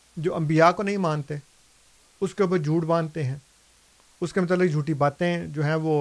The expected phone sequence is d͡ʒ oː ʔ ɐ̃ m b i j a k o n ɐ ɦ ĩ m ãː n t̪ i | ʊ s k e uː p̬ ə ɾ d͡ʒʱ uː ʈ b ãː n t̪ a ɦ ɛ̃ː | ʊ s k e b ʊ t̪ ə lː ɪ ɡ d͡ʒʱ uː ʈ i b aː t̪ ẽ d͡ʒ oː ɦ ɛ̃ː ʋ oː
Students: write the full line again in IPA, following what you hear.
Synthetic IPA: d͡ʒ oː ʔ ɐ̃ m b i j a k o n ɐ ɦ ĩ m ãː n t̪ e | ʊ s k e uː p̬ ə ɾ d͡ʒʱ uː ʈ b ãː n t̪ e ɦ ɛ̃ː | ʊ s k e m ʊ t̪ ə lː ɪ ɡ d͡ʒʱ uː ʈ i b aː t̪ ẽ d͡ʒ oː ɦ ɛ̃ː ʋ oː